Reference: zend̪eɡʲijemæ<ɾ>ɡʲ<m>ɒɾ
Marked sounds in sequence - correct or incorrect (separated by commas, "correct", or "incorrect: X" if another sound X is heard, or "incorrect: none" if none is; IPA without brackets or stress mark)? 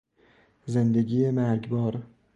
correct, incorrect: b